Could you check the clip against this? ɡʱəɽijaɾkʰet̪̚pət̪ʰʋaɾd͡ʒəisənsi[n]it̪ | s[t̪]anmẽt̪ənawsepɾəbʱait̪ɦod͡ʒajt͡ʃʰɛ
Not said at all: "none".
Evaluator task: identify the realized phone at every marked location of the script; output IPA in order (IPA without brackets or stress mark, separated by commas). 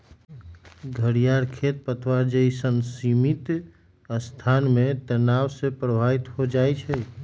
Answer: m, t̪ʰ